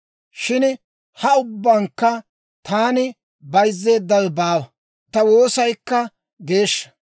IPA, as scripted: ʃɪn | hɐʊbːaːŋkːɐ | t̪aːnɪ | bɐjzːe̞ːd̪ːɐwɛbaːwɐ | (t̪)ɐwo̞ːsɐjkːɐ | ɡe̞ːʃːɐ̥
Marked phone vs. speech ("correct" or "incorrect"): correct